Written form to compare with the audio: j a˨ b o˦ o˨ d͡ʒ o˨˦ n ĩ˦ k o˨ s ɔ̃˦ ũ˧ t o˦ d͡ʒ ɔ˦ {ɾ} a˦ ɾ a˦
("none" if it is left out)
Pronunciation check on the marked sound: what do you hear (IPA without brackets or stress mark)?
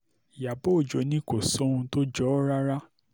ɾ